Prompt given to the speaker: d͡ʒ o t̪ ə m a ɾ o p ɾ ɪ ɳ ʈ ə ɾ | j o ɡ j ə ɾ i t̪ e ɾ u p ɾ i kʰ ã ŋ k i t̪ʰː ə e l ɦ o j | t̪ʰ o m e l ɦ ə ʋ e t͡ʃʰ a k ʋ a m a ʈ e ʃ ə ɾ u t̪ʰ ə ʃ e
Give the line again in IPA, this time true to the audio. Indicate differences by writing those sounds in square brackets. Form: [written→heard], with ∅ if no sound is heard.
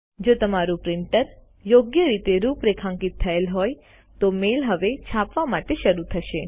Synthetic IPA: d͡ʒ o t̪ ə m a ɾ [o→u] p ɾ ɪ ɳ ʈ ə ɾ | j o ɡ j ə ɾ i t̪ e ɾ u p ɾ [i→e] kʰ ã ŋ k i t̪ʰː ə e l ɦ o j | [t̪ʰ→t̪] o m e l ɦ ə ʋ e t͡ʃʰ a [k→p] ʋ a m a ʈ e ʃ ə ɾ u t̪ʰ ə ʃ e